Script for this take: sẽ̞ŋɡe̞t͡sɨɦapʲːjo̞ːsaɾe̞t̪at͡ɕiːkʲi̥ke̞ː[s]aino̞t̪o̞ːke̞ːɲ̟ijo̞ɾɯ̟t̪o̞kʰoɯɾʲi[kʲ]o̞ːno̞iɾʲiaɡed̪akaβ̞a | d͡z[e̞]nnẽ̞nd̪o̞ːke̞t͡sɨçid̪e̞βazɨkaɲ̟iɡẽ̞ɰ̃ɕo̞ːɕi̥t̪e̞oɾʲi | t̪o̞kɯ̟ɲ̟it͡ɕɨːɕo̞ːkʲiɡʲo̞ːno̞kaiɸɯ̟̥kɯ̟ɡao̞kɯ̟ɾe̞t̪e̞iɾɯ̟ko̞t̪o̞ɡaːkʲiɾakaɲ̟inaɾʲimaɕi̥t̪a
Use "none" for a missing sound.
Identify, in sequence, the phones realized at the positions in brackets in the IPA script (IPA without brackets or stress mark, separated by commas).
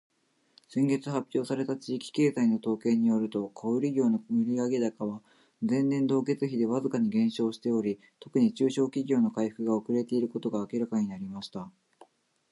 z, ɡʲ, ẽ̞